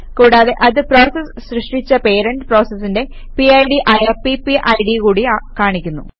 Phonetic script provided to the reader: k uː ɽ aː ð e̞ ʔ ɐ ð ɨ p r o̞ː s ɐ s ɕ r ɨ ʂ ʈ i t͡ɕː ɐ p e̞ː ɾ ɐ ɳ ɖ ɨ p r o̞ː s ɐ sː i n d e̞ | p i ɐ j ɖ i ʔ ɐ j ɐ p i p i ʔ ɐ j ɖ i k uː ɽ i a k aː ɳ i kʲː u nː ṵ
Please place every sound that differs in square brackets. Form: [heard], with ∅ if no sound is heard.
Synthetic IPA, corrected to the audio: k uː ɽ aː ð e̞ ʔ ɐ ð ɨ p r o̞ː s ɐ s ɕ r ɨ ʂ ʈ i t͡ɕː ɐ p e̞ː ɾ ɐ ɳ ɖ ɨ p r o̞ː s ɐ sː i n d e̞ | p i ɐ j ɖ i ʔ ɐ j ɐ p i p i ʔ ɐ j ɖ i k uː ɽ i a k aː ɳ i kʲː u nː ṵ